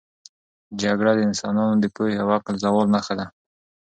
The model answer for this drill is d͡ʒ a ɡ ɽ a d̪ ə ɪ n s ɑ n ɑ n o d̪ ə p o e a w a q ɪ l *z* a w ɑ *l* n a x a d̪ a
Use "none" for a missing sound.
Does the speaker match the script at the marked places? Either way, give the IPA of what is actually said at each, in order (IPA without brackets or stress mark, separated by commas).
z, l